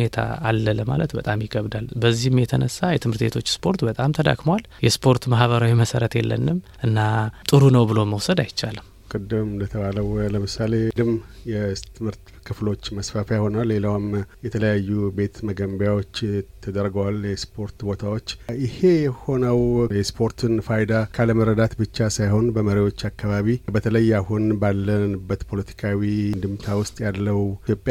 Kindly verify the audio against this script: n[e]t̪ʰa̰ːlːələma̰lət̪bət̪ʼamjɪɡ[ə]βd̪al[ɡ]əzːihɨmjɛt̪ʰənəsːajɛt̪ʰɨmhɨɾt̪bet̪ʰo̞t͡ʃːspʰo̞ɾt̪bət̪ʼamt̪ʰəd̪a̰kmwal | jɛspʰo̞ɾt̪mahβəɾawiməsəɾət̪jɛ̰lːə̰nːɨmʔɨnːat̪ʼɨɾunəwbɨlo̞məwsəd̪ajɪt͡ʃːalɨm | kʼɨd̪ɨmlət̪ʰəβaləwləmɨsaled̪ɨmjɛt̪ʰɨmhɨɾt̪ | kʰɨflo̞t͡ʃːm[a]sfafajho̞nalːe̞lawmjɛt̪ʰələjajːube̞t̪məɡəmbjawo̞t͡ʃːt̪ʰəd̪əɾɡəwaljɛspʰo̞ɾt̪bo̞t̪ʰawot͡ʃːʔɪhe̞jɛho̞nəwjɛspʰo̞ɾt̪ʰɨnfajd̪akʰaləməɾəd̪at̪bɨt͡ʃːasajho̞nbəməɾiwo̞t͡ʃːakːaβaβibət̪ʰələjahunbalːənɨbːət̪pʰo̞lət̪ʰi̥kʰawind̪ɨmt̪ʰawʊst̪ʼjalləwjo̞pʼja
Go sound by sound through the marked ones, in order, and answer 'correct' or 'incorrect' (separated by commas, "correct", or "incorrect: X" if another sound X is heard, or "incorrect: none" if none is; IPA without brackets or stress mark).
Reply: correct, correct, incorrect: b, incorrect: ə